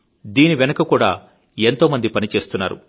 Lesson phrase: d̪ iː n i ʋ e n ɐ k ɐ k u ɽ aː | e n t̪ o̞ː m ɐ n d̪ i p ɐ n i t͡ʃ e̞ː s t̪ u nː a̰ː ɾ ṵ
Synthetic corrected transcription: d̪ iː n i ʋ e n ɐ k ɐ k uː ɽ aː | e n t̪ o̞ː m ɐ n d̪ i p ɐ n i t͡ʃ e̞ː s t̪ u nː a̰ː ɾ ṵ